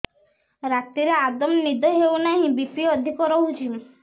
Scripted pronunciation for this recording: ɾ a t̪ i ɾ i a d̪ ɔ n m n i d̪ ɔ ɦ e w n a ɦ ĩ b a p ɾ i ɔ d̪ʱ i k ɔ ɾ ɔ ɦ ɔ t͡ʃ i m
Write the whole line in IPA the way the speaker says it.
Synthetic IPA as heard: ɾ a t̪ i ɾ e a d̪ ɔ m n i d̪ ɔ ɦ e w n a ɦ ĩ b i p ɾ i ɔ d̪ʱ i k ɔ ɾ ɔ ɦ u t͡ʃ i m